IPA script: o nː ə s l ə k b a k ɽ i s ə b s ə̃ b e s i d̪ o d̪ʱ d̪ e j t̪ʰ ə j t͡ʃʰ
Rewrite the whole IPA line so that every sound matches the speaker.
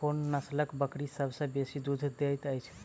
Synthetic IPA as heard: o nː ə s l ə k b ə k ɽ i s ə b s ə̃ b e s i d̪ u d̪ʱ d̪ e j t̪ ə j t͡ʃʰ